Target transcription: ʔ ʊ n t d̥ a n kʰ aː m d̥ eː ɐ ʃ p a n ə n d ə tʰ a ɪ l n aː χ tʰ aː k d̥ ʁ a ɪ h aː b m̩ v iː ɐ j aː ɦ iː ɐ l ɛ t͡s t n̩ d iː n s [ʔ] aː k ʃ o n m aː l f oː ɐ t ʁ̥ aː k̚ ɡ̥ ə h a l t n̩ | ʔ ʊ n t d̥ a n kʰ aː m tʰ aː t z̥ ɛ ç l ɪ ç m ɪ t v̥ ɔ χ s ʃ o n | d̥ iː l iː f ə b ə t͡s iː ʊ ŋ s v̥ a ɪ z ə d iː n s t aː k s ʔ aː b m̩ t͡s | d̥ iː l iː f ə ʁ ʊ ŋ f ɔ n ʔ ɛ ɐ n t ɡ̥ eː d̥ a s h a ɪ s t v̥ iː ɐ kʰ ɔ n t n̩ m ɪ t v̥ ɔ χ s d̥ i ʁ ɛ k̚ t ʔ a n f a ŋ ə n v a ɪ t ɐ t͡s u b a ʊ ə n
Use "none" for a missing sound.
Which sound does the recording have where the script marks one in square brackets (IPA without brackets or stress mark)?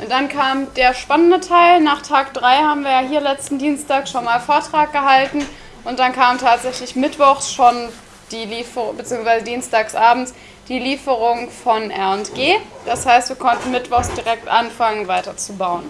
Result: t